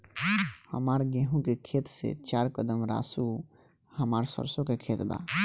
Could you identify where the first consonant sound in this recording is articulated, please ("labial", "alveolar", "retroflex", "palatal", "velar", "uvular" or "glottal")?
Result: glottal